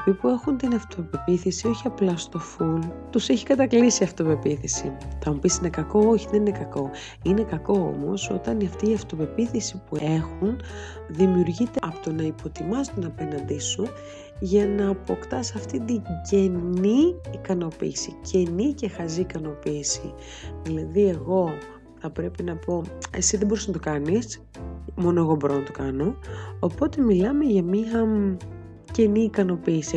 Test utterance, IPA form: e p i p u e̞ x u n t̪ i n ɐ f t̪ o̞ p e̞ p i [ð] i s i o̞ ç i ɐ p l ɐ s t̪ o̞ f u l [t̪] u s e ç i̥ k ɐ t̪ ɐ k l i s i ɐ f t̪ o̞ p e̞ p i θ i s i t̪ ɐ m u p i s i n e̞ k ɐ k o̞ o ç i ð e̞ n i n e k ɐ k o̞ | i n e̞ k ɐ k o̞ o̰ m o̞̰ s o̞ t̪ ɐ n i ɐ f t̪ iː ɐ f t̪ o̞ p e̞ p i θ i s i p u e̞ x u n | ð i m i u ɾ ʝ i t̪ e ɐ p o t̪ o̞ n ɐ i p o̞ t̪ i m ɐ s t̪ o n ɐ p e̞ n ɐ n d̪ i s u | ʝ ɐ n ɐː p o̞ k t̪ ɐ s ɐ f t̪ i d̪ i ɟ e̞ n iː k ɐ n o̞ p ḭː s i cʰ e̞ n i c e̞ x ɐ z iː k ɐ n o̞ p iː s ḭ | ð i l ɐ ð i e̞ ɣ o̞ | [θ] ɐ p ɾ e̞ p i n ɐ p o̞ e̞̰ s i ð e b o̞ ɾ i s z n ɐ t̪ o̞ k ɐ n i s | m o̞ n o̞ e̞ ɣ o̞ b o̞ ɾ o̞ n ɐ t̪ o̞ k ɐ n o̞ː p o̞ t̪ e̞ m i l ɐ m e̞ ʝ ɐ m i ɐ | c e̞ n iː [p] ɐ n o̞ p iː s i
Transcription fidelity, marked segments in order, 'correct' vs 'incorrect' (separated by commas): incorrect, correct, correct, incorrect